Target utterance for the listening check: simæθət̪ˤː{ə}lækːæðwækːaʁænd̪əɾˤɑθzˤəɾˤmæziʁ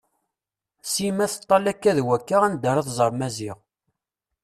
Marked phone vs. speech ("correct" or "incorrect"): incorrect